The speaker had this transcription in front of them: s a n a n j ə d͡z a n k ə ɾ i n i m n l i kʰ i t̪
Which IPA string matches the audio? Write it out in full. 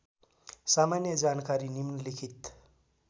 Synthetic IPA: s a m a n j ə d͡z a n k a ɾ i n i m n l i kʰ i t̪